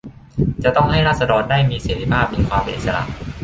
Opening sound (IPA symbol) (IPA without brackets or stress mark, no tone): t͡ɕ